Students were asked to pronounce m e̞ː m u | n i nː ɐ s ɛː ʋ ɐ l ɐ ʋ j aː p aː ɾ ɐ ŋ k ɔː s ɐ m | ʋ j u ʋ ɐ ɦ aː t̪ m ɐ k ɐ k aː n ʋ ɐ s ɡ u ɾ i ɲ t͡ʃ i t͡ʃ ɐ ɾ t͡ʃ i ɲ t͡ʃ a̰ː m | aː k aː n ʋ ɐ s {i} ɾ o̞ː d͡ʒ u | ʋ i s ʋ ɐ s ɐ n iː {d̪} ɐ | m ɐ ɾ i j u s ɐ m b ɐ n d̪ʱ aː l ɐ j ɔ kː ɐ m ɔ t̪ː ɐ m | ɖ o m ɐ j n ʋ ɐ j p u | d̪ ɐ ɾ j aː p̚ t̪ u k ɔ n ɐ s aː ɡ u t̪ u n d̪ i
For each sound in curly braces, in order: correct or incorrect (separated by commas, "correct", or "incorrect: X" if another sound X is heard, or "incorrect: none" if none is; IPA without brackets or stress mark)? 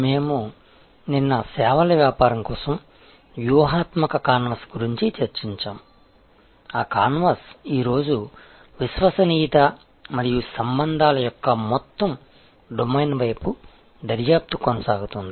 incorrect: iː, incorrect: t̪